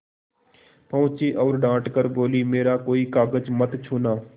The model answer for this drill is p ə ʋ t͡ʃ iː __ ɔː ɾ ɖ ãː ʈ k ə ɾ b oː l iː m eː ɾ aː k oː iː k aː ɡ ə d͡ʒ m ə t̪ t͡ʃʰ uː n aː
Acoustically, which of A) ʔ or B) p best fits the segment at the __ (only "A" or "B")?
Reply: A